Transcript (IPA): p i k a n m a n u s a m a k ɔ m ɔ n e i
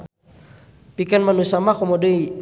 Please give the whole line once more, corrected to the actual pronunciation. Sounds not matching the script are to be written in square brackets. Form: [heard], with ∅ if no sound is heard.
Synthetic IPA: p i k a n m a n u s a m a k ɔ m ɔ [d] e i